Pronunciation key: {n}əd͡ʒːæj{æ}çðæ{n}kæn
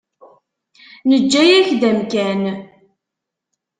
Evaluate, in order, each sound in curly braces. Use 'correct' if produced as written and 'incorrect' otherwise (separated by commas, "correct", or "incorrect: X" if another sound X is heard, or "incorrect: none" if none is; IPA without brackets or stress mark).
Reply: correct, correct, incorrect: m